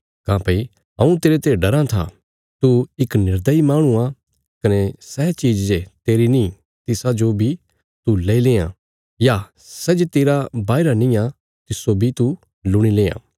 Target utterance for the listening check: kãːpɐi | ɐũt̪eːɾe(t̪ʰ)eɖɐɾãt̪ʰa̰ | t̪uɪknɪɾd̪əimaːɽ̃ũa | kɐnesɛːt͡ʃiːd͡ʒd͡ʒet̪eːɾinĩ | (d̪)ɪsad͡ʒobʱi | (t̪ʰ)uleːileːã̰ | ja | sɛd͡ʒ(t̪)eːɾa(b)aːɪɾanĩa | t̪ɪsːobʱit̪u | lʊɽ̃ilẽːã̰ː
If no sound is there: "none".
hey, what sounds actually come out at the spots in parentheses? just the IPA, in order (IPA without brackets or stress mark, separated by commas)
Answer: t̪, t̪, t̪, t̪, b